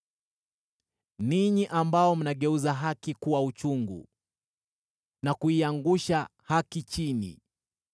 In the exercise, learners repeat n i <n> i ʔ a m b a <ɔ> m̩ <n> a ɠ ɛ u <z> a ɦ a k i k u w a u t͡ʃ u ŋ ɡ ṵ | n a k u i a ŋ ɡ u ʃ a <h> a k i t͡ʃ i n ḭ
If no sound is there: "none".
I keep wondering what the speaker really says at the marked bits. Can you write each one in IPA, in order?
ɲ, ɔ, n, z, h

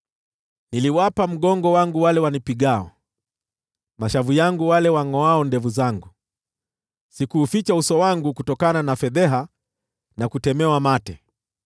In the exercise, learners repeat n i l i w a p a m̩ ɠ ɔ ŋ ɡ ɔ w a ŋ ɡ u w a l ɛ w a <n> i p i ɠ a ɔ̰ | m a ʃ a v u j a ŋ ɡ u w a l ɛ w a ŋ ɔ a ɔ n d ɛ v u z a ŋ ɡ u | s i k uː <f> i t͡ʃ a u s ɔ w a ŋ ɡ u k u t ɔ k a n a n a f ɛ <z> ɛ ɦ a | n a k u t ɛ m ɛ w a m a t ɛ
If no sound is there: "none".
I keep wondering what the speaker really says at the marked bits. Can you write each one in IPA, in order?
n, f, ð

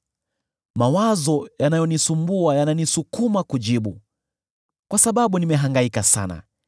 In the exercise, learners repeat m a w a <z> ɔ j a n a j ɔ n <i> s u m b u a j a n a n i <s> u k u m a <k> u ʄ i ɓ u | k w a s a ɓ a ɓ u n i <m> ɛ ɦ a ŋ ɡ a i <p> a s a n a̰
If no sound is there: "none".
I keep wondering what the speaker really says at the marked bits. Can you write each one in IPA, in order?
z, i, s, k, m, k

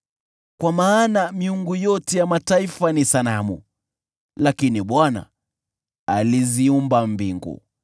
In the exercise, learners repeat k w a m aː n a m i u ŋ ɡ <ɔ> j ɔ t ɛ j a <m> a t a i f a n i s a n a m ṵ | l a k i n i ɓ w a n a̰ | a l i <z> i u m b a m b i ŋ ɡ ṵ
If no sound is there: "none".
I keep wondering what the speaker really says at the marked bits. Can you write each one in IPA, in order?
u, m, z

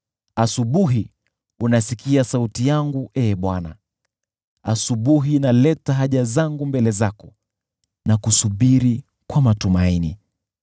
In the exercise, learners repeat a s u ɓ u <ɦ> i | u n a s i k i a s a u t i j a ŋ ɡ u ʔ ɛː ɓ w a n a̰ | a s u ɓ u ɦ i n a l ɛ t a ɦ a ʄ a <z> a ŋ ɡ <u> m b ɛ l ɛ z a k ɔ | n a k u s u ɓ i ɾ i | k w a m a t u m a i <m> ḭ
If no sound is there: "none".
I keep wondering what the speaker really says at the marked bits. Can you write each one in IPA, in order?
ɦ, z, u, n

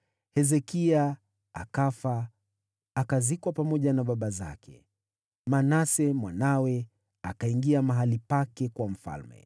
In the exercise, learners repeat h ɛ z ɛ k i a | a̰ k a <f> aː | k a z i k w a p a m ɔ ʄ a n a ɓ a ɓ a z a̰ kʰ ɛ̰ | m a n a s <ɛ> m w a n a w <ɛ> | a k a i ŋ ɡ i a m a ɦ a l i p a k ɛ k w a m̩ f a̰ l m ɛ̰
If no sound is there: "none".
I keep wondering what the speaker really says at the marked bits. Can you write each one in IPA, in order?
f, ɛ, ɛ

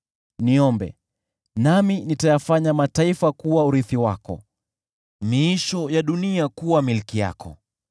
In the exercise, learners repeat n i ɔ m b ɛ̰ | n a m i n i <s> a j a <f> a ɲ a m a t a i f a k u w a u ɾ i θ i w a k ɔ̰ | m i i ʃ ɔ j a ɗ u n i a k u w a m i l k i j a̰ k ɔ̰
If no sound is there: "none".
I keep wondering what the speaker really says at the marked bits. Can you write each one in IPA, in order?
t, f

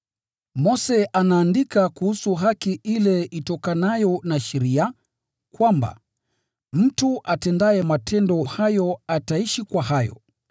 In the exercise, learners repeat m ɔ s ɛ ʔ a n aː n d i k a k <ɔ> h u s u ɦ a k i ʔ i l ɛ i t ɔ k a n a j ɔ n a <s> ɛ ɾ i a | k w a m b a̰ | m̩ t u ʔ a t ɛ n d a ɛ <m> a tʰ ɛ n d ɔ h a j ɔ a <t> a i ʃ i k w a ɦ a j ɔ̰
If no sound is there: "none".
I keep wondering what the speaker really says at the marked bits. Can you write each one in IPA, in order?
u, ʃ, m, t

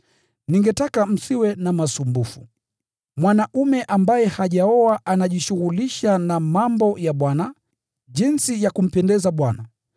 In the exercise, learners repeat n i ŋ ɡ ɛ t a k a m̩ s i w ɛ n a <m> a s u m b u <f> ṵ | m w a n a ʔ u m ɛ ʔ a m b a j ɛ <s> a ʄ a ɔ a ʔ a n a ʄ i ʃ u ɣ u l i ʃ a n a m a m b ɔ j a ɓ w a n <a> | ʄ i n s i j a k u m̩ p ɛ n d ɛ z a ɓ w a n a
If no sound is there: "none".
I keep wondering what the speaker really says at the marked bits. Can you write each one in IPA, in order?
m, f, h, a

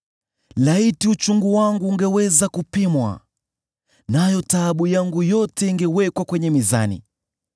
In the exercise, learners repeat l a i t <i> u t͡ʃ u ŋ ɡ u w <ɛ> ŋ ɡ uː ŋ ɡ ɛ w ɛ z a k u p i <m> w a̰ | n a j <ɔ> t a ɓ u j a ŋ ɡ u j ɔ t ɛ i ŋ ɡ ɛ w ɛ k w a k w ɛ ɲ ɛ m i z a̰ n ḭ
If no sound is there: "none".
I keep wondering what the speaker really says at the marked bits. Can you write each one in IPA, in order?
i, a, m, ɔ

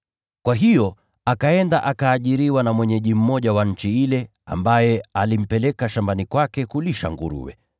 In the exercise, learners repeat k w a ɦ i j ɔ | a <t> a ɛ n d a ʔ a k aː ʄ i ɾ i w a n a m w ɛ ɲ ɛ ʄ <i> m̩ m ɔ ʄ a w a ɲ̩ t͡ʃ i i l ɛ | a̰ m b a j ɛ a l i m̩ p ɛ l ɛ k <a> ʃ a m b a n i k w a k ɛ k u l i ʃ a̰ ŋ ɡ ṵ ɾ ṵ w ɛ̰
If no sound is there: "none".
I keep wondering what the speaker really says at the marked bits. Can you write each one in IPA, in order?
k, i, a

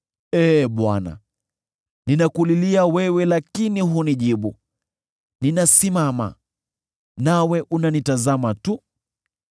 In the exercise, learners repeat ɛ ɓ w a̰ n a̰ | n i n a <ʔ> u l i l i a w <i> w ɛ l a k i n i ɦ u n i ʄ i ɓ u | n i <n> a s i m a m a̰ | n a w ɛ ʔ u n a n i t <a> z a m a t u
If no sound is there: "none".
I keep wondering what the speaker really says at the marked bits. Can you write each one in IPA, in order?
k, ɛ, n, a

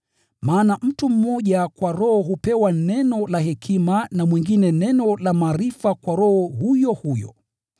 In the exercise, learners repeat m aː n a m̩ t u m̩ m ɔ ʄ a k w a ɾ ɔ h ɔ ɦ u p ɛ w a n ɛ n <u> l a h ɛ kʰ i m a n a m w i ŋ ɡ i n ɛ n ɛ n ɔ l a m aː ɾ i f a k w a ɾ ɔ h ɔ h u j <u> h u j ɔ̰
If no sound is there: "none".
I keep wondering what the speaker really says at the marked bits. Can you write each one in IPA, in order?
ɔ, ɔ

